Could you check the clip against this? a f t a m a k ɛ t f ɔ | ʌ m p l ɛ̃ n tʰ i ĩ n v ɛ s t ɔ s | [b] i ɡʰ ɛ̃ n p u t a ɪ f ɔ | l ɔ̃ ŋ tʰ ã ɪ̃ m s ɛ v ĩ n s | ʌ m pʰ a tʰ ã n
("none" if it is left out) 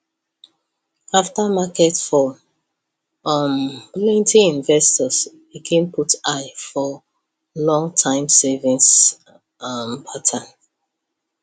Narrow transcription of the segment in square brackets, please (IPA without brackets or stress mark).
b